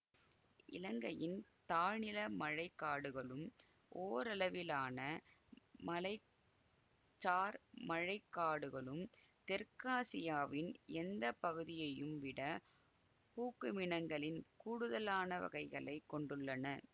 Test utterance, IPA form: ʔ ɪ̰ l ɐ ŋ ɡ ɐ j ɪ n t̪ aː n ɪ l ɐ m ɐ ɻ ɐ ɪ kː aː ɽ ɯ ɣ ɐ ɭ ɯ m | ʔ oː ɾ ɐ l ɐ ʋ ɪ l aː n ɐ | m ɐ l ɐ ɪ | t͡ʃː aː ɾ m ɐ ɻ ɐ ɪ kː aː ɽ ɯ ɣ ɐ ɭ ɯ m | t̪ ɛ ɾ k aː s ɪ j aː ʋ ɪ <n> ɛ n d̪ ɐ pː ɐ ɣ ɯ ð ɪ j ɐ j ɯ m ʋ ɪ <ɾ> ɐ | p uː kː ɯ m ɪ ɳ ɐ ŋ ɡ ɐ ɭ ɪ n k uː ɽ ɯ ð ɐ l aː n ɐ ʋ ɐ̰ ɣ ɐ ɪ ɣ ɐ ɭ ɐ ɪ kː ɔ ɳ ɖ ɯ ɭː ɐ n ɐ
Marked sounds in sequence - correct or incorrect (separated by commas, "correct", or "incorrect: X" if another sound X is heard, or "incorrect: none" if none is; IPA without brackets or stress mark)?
correct, incorrect: ɽ